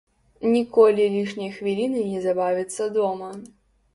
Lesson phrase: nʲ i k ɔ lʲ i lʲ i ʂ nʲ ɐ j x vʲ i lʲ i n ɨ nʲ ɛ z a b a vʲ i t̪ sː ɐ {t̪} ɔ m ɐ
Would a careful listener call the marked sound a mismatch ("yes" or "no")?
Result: yes